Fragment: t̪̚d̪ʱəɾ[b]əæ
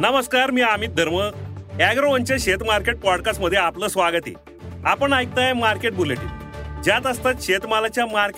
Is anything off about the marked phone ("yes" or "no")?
yes